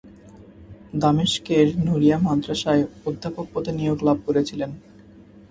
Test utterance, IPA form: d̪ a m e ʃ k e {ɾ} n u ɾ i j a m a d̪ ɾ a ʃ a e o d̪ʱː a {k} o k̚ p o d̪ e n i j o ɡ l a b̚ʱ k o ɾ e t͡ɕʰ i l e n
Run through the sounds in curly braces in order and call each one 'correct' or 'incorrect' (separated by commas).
correct, incorrect